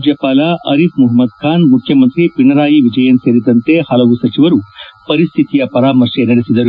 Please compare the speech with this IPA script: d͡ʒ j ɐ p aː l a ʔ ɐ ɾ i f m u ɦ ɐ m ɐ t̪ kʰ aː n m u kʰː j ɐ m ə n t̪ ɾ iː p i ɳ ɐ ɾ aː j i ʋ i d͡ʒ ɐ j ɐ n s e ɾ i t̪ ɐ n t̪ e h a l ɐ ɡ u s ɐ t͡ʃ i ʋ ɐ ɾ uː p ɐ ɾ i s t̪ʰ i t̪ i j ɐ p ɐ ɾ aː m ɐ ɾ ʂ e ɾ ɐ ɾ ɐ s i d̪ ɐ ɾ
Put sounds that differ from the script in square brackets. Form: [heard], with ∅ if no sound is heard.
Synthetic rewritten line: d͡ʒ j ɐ p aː l a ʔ ɐ ɾ i f m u ɦ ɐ m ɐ [d̪] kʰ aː n m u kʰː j ɐ m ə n t̪ ɾ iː p i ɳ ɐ ɾ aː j i ʋ i d͡ʒ ɐ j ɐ n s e ɾ i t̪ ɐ n t̪ e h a l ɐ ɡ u s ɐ t͡ʃ i ʋ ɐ ɾ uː p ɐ ɾ i s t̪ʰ i t̪ i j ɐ p ɐ ɾ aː m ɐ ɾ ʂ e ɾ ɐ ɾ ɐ s i d̪ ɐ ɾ

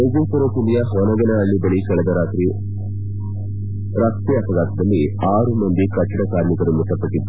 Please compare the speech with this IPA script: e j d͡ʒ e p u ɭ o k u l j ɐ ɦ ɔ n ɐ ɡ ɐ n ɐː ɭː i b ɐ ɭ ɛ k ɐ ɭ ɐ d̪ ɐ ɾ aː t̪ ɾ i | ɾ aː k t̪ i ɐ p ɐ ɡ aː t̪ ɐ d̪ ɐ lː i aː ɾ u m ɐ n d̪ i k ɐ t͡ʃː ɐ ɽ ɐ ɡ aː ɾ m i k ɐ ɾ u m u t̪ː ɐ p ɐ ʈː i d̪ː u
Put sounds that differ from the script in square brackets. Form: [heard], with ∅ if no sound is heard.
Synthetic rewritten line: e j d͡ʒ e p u [ɾ] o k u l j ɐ ɦ ɔ n ɐ ɡ ɐ n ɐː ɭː i b ɐ ɭ [i] k ɐ ɭ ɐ d̪ ɐ ɾ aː t̪ ɾ i | ɾ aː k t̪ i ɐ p ɐ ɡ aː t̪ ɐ d̪ ɐ lː i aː ɾ u m ɐ n d̪ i k ɐ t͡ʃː ɐ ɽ ɐ [k] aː ɾ m i k ɐ ɾ u m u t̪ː ɐ p ɐ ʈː i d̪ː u

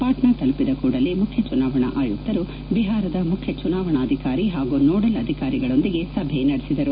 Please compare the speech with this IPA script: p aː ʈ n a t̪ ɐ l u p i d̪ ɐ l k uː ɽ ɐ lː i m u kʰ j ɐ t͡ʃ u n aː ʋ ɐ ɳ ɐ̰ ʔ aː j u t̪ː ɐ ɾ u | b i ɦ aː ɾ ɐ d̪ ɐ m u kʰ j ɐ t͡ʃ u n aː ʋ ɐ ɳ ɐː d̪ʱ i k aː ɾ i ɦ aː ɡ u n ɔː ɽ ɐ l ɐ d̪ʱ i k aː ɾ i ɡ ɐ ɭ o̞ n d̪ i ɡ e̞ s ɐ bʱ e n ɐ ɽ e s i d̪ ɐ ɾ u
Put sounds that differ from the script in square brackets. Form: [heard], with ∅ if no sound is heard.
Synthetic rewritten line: p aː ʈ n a t̪ ɐ l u p i d̪ ɐ [∅] k uː ɽ ɐ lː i m u kʰ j ɐ t͡ʃ u n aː ʋ ɐ ɳ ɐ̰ ʔ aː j u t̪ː ɐ ɾ u | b i ɦ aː ɾ ɐ d̪ ɐ m u kʰ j ɐ t͡ʃ u n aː ʋ ɐ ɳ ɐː d̪ʱ i k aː ɾ i ɦ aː ɡ u n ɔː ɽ ɐ l ɐ d̪ʱ i k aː ɾ i ɡ ɐ ɭ o̞ n d̪ i ɡ e̞ s ɐ bʱ e n ɐ ɽ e s i d̪ ɐ ɾ u

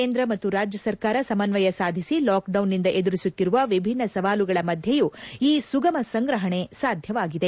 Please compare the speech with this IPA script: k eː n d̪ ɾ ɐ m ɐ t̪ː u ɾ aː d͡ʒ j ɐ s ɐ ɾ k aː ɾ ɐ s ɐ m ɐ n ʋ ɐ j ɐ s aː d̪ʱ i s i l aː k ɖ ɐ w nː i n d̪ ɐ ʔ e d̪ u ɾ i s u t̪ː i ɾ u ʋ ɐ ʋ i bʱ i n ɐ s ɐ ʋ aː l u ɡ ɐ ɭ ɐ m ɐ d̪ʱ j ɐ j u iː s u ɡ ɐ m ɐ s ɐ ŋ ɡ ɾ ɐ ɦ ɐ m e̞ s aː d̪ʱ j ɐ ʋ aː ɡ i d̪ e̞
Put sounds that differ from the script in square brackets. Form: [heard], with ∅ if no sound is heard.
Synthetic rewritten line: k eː n d̪ ɾ ɐ m ɐ t̪ː u ɾ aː d͡ʒ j ɐ s ɐ ɾ k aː ɾ ɐ s ɐ m ɐ n ʋ ɐ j ɐ s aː d̪ʱ i s i l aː k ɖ ɐ w nː i n d̪ ɐ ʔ e d̪ u ɾ i s u t̪ː i ɾ u ʋ ɐ ʋ i bʱ i [nː] ɐ s ɐ ʋ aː l u ɡ ɐ ɭ ɐ m ɐ d̪ʱ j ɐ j u iː s u ɡ ɐ m ɐ s ɐ ŋ ɡ ɾ ɐ ɦ ɐ [ɳ] e̞ s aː d̪ʱ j ɐ ʋ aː ɡ i d̪ e̞

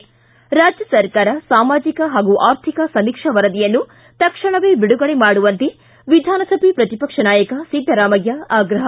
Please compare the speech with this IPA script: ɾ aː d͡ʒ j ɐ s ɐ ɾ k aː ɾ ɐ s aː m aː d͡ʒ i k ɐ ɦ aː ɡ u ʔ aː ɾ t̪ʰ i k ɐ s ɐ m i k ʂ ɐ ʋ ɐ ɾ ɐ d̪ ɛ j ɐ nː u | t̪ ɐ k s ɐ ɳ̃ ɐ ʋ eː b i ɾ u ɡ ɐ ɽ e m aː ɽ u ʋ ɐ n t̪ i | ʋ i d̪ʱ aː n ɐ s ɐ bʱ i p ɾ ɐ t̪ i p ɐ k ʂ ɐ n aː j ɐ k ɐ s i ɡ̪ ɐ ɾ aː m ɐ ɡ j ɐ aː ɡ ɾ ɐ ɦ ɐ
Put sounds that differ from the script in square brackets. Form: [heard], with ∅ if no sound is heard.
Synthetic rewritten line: ɾ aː d͡ʒ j ɐ s ɐ ɾ k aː ɾ ɐ s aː m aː d͡ʒ i k ɐ ɦ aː ɡ u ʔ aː ɾ t̪ʰ i k ɐ s ɐ m i k ʂ ɐ ʋ ɐ ɾ ɐ d̪ [i] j ɐ nː u | t̪ ɐ k [ʂ] ɐ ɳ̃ ɐ ʋ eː b i [ɽ] u ɡ ɐ [ɭ] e m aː ɽ u ʋ ɐ n t̪ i | ʋ i d̪ʱ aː n ɐ s ɐ bʱ i p ɾ ɐ t̪ i p ɐ k ʂ ɐ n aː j ɐ k ɐ s i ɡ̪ ɐ ɾ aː m ɐ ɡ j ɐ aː ɡ ɾ ɐ ɦ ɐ

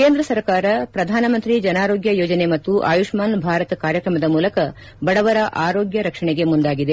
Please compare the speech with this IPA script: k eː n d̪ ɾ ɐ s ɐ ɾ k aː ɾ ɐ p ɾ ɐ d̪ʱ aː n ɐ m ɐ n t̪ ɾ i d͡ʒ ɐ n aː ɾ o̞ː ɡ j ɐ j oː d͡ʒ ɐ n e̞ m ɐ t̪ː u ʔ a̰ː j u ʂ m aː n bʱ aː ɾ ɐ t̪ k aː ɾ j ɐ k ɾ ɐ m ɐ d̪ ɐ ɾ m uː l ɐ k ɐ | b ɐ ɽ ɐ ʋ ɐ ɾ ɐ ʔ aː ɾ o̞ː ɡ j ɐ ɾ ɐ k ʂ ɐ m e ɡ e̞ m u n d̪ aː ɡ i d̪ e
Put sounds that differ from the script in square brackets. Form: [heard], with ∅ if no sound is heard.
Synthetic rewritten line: k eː n d̪ ɾ ɐ s ɐ ɾ k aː ɾ ɐ p ɾ ɐ d̪ʱ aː n ɐ m ɐ n t̪ ɾ i d͡ʒ ɐ n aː ɾ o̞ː ɡ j ɐ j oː d͡ʒ ɐ n e̞ m ɐ t̪ː u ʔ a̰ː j u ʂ m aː n bʱ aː ɾ ɐ t̪ k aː ɾ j ɐ k ɾ ɐ m ɐ d̪ ɐ [∅] m uː l ɐ k ɐ | b ɐ ɽ ɐ ʋ ɐ ɾ ɐ ʔ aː ɾ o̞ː ɡ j ɐ ɾ ɐ k ʂ ɐ [ɳ] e ɡ e̞ m u n d̪ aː ɡ i d̪ e

